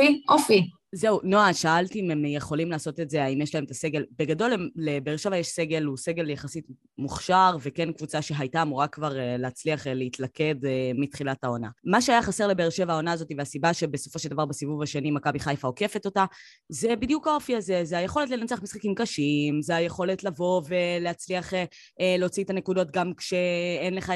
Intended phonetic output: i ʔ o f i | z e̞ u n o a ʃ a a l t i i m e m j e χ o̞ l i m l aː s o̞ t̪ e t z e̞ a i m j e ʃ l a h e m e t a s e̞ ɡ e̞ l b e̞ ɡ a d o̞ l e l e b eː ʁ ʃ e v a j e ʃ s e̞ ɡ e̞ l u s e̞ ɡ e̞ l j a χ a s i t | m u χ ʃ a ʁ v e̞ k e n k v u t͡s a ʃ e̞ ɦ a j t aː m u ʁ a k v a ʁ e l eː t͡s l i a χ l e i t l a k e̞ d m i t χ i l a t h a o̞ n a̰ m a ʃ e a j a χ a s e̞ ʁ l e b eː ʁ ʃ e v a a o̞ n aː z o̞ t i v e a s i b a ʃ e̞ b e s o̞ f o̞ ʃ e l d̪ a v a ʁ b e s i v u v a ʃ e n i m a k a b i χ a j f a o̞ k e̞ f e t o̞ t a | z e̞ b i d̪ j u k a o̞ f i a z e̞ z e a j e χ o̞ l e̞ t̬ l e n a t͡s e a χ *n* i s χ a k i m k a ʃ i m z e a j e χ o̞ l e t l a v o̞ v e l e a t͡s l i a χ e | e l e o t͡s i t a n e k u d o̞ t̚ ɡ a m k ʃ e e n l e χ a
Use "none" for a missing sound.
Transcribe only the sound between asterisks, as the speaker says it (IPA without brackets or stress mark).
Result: m